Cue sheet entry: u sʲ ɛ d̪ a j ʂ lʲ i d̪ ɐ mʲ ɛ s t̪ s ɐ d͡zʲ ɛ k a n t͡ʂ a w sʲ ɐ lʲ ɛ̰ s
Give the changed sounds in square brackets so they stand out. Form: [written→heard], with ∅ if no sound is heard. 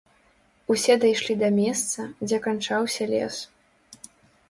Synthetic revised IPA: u sʲ ɛ d̪ a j ʂ lʲ i d̪ ɐ mʲ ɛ s t̪ s ɐ d͡zʲ ɛ k a n t͡ʂ a w sʲ ɐ lʲ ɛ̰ s